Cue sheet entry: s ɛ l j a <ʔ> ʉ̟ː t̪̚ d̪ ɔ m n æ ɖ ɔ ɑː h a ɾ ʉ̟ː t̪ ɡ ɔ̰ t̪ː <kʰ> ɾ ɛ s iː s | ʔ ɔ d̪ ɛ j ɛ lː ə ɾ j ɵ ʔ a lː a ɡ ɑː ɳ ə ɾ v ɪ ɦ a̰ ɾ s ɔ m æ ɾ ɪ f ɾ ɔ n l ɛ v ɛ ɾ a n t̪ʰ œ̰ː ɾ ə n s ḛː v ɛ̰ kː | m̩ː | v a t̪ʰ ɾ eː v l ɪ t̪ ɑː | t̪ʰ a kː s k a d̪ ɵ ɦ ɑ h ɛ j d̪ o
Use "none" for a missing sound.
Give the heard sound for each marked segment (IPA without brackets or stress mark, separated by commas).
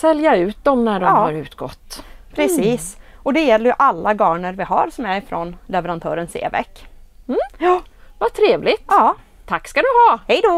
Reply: none, pʰ